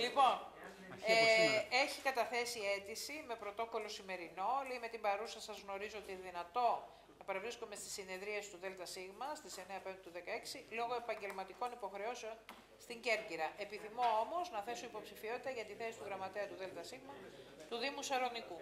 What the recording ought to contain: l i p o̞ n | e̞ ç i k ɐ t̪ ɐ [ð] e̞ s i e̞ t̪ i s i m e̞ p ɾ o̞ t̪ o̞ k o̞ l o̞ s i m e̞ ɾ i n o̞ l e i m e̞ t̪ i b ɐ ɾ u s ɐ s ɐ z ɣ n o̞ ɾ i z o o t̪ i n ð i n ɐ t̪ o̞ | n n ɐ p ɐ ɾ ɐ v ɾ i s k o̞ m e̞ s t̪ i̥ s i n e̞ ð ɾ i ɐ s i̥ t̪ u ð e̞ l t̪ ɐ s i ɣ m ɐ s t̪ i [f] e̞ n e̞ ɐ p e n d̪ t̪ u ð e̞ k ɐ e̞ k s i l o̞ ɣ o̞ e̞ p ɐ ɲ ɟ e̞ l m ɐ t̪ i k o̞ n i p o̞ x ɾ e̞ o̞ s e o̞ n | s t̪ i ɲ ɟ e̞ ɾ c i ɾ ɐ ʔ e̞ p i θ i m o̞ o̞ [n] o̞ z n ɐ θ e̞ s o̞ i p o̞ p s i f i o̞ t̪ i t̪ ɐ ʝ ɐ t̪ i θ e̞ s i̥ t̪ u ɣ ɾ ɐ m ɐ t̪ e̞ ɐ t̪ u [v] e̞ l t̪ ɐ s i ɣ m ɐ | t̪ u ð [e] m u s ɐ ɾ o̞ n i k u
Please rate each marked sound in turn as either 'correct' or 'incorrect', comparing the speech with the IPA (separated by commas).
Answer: incorrect, incorrect, incorrect, incorrect, incorrect